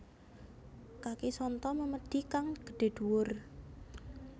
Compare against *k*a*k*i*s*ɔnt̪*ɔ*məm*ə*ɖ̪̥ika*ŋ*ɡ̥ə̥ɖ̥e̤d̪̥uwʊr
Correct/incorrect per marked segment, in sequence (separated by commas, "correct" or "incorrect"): correct, correct, correct, correct, correct, correct